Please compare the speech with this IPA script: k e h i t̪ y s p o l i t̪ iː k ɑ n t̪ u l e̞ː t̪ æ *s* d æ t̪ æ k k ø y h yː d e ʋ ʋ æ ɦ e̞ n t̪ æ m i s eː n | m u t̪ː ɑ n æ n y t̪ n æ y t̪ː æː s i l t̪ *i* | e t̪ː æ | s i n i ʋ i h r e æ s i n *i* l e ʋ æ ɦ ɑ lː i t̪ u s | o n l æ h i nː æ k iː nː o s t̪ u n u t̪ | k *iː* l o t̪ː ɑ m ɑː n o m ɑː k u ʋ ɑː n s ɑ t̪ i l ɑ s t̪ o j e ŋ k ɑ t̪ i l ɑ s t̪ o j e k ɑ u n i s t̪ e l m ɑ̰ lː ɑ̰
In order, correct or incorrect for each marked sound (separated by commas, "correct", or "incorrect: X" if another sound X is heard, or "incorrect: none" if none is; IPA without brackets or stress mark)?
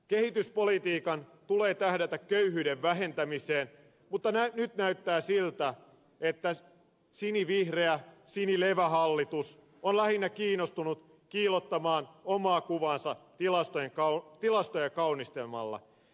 incorrect: h, incorrect: æ, correct, correct